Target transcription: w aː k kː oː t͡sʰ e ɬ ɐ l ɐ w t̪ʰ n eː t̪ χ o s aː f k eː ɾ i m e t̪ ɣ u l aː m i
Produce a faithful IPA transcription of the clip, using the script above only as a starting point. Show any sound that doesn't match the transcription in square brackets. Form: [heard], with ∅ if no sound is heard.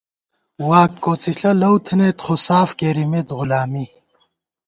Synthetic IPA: w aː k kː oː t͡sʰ [i] ɬ ɐ l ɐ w t̪ʰ n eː t̪ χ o s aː f k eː ɾ i m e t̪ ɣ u l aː m i